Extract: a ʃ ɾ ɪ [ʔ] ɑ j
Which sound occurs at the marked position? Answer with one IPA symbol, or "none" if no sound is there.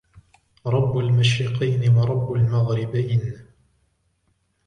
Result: q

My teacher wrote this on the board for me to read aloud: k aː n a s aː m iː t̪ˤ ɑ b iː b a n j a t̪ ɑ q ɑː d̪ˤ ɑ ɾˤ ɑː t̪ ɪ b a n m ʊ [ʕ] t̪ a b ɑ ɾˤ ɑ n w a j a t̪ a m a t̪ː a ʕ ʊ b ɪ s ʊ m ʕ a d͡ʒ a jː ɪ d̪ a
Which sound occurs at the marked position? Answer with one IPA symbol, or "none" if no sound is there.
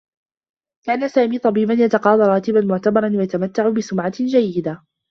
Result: ʕ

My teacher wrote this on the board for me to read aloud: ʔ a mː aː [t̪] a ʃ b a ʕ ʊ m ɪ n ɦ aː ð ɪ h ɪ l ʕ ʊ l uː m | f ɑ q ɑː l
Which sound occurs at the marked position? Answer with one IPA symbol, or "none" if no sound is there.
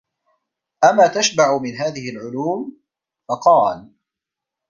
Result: t̪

